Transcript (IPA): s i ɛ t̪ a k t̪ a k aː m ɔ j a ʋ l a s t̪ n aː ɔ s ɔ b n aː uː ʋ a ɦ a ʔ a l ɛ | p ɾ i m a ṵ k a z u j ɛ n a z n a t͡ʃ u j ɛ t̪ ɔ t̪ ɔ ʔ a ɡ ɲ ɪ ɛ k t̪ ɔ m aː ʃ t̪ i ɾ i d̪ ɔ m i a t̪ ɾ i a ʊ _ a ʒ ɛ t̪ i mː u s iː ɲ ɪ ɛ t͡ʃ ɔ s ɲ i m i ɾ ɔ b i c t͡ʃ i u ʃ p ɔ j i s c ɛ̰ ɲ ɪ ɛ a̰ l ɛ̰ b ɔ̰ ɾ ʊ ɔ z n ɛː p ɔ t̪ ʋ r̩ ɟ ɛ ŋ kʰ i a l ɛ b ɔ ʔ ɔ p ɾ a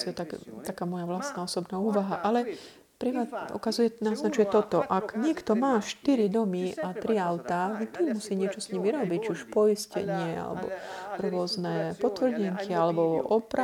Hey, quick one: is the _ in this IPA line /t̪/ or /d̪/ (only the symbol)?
t̪